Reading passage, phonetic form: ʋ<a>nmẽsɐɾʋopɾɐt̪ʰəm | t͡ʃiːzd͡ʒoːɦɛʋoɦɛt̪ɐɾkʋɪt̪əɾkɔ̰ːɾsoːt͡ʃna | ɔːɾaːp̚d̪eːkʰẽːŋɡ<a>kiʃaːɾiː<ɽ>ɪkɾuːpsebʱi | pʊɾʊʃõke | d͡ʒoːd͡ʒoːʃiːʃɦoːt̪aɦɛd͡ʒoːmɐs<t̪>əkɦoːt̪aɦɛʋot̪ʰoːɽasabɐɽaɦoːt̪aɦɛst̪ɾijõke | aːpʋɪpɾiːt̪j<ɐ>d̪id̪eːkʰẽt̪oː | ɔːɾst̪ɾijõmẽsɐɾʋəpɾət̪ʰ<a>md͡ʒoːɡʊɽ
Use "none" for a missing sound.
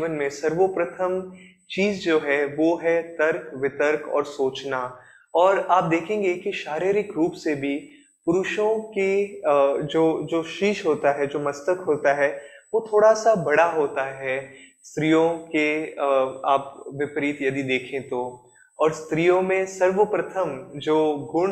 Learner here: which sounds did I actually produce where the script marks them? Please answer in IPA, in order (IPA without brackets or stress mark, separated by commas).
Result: ə, e, ɾ, t̪, ɐ, ə